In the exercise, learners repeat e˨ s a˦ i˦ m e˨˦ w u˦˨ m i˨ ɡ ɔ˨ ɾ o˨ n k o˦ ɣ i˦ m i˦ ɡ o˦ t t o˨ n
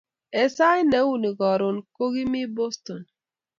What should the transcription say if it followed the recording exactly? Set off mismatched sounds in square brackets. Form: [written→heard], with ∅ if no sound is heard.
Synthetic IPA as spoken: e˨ s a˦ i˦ [m→n] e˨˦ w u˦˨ [m→n] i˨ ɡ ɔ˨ ɾ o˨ n k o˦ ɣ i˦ m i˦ [ɡ→b] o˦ [t→s] t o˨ n